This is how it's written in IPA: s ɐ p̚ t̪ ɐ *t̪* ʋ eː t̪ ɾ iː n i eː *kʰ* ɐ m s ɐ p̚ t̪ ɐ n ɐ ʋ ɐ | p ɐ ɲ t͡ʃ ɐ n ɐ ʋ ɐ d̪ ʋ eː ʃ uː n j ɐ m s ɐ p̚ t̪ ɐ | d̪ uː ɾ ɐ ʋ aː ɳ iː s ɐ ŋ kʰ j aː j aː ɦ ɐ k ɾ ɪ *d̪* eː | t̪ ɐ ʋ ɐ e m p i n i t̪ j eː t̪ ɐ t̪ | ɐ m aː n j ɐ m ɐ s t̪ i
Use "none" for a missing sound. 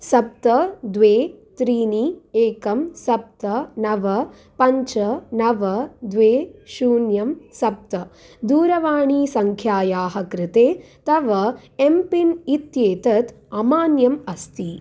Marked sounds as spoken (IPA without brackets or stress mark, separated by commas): d̪, k, t̪